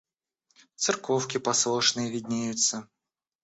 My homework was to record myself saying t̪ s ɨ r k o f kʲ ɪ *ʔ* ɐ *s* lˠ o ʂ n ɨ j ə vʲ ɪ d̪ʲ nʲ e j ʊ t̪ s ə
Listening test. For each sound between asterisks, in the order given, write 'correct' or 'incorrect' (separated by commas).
incorrect, correct